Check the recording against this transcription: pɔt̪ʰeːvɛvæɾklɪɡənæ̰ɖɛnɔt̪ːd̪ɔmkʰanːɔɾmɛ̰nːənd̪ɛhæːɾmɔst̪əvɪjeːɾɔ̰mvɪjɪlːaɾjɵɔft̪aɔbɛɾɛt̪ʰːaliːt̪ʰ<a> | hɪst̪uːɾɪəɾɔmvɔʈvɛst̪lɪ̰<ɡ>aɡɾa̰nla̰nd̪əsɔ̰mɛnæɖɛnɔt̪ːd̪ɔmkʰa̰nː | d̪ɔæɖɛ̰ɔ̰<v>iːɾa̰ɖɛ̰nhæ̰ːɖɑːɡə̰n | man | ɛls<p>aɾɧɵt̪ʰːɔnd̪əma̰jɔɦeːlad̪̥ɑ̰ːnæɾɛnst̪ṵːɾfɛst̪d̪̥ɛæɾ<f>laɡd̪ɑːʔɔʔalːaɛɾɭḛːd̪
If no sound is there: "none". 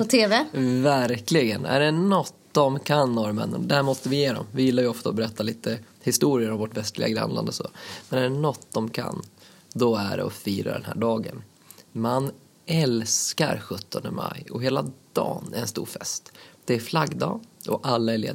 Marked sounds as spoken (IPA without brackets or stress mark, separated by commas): ə, ɡ, f, k, f